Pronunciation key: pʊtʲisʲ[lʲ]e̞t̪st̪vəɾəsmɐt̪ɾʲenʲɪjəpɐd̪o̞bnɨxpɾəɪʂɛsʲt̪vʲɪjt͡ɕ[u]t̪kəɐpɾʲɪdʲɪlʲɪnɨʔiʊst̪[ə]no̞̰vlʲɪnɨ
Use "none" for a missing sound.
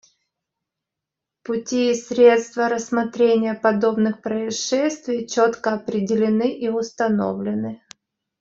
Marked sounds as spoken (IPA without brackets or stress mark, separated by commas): ɾʲ, o, ɐ